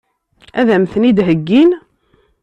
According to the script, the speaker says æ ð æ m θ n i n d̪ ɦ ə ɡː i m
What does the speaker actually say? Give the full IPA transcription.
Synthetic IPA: æ ð æ m θ n i d̪ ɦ ə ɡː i n